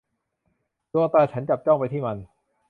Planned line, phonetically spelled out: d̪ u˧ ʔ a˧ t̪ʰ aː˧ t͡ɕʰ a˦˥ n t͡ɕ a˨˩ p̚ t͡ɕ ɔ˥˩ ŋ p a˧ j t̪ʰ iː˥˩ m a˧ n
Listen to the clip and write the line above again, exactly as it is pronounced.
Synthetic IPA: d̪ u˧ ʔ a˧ t̪ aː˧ t͡ɕʰ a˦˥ n t͡ɕ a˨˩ p̚ t͡ɕ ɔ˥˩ ŋ p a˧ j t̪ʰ iː˥˩ m a˧ n